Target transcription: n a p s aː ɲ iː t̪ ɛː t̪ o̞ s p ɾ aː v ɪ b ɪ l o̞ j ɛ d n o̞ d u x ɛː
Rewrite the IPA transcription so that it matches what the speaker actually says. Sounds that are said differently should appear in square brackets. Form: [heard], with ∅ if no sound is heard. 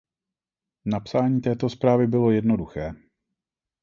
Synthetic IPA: n a p s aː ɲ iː t̪ ɛː t̪ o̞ s p ɾ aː v ɪ b ɪ l o̞ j ɛ d n o̞ d u x ɛː